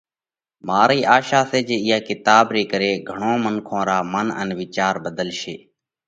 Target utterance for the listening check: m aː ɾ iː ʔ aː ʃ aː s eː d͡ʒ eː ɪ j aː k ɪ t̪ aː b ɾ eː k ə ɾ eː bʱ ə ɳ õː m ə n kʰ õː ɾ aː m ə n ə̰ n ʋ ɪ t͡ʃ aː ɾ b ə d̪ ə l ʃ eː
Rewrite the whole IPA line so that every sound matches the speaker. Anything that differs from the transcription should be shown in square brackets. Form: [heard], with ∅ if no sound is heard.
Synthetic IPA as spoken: m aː ɾ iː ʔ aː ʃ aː s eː d͡ʒ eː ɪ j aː k ɪ t̪ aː b ɾ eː k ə ɾ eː [ɡʱ] ə ɳ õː m ə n kʰ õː ɾ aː m ə n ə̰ n ʋ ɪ t͡ʃ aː ɾ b ə d̪ ə l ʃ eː